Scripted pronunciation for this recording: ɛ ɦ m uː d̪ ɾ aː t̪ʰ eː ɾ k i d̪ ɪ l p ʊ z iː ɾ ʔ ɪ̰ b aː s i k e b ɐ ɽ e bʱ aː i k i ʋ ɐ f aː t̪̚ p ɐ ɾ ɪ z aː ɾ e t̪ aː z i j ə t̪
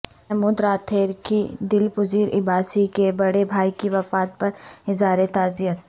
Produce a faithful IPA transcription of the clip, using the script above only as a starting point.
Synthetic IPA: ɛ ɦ m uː d̪ ɾ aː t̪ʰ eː ɾ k i d̪ ɪ l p ʊ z iː ɾ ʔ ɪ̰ b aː s i k e b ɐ ɽ e bʱ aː i k i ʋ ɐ f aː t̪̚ p ɐ ɾ ɪ z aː ɾ e t̪ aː z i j ə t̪